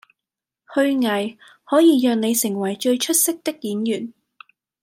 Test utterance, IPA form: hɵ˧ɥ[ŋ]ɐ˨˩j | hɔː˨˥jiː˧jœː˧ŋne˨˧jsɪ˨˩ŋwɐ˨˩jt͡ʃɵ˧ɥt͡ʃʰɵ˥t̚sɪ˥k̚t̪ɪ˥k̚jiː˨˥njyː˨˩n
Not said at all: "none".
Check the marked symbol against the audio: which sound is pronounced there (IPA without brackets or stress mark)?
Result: ŋ